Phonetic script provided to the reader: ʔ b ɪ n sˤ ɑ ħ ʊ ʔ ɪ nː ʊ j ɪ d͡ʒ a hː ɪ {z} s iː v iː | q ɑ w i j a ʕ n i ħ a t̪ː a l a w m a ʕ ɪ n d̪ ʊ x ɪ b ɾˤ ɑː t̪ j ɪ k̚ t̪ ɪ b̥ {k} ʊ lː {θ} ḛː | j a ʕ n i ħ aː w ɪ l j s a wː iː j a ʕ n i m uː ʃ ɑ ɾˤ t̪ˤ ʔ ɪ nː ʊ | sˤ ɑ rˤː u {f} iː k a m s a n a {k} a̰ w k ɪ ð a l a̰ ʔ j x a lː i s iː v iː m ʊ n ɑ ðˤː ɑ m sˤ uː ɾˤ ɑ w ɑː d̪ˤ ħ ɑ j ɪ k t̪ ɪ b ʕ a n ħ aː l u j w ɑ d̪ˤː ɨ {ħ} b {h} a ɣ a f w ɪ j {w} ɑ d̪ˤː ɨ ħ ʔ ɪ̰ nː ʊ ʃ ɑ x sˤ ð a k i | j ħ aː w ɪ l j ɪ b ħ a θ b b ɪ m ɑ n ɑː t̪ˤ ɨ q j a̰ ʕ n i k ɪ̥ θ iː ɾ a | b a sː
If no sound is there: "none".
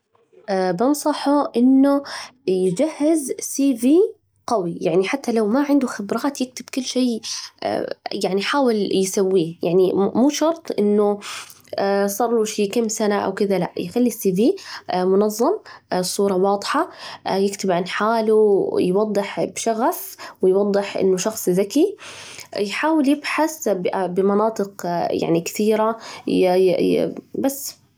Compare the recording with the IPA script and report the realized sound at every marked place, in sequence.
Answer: z, k, ʃ, ʃ, ʔ, ħ, ʃ, w

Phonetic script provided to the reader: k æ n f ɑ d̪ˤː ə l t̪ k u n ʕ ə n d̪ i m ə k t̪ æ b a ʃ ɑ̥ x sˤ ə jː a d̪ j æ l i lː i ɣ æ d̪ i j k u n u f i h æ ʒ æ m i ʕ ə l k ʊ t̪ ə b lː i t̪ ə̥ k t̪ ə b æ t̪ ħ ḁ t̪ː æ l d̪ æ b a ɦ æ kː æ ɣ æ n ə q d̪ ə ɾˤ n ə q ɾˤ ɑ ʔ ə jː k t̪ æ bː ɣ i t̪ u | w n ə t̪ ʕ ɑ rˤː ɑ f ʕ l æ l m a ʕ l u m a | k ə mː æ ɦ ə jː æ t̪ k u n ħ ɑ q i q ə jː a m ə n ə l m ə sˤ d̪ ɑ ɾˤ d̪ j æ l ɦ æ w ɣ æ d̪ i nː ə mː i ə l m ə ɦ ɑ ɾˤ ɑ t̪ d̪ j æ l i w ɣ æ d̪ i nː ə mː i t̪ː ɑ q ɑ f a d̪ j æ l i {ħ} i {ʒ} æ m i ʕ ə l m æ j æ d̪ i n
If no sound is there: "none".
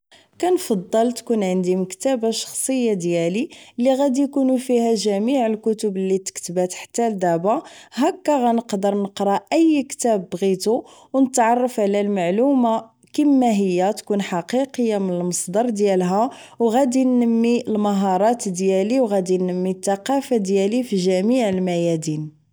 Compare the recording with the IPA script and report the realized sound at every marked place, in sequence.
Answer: f, ʒ

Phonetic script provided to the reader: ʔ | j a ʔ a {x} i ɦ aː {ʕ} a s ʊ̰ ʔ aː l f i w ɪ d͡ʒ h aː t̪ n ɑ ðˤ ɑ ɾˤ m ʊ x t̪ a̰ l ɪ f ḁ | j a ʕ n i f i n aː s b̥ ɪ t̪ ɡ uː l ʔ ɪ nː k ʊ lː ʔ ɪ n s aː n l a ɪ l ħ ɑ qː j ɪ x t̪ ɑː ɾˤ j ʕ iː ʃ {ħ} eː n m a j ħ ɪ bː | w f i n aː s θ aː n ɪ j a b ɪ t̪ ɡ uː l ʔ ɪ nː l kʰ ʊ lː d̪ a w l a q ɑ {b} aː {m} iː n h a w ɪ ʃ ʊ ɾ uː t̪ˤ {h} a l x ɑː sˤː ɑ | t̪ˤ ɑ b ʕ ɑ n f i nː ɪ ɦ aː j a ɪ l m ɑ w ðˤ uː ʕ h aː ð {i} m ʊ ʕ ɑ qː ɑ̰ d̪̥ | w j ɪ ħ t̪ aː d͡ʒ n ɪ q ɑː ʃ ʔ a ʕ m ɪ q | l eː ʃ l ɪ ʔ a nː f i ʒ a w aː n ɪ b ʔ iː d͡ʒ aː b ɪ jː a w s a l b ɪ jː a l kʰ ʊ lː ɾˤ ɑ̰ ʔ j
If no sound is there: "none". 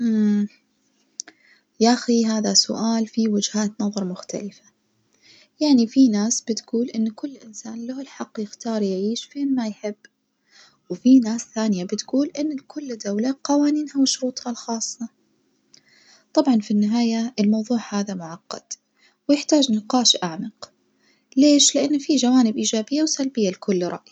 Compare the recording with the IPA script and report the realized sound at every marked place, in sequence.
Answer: x, ð, f, w, n, h, a

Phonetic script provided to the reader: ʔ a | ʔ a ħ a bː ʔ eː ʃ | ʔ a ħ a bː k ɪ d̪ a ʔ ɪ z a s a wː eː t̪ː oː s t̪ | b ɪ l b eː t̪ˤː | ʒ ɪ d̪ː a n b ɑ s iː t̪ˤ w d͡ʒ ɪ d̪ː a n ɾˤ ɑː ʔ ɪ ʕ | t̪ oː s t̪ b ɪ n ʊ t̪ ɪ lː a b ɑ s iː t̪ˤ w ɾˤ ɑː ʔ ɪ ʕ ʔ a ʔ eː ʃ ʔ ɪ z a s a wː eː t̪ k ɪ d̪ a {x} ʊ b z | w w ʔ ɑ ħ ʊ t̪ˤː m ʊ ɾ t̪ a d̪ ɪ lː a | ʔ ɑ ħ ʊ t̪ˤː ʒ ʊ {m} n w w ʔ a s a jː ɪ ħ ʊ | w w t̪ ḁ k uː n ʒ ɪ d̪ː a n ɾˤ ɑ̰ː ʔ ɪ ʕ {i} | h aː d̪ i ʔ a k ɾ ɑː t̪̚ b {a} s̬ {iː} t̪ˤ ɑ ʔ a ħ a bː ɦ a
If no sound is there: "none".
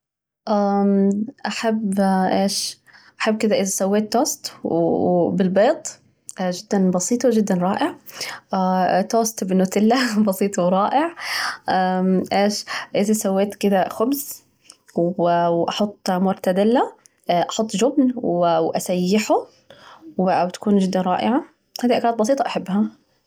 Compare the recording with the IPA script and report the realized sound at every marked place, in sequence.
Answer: x, b, a, ɑ, iː

